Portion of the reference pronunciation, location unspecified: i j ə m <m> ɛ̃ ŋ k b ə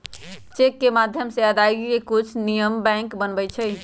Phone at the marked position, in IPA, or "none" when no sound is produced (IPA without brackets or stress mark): b